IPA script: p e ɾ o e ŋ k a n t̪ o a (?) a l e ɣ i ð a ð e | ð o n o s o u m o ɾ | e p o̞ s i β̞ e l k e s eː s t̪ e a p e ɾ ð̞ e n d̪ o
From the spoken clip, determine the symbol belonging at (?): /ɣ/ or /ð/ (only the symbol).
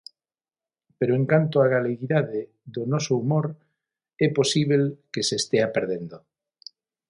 ɣ